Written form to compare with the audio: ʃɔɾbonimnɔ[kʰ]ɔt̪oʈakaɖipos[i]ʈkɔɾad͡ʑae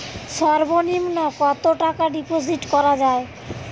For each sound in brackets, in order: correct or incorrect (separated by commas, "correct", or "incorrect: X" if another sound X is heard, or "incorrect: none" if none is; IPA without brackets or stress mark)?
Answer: incorrect: k, correct